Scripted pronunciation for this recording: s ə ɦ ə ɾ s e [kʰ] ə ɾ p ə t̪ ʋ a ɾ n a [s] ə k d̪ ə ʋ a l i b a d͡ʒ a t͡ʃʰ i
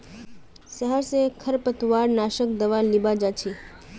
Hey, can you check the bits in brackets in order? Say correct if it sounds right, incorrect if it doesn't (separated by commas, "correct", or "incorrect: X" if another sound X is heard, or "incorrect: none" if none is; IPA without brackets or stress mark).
correct, incorrect: ʃ